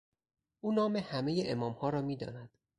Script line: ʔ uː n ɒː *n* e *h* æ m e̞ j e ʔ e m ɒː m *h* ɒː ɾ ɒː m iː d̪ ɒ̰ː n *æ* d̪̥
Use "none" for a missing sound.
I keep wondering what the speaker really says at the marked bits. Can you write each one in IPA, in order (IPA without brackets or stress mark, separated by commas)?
m, h, h, æ